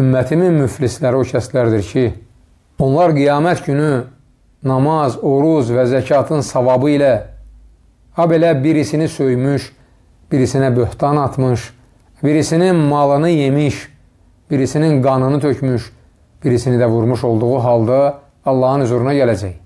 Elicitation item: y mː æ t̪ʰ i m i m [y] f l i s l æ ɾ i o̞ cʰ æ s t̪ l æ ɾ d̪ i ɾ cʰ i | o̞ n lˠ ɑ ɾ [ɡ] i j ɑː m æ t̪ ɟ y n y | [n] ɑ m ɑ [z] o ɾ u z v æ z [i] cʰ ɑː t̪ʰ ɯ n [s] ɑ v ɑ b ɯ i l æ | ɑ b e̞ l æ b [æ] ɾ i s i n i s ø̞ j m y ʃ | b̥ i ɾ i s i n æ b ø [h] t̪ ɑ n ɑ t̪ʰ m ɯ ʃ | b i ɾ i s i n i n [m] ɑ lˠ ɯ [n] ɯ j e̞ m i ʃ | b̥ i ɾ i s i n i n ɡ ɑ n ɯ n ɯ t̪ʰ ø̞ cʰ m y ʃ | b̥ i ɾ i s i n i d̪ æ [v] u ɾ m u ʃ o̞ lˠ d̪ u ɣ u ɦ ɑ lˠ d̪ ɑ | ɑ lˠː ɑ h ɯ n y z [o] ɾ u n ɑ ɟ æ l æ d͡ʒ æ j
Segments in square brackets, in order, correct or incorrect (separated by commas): correct, correct, correct, correct, incorrect, correct, incorrect, correct, correct, correct, correct, incorrect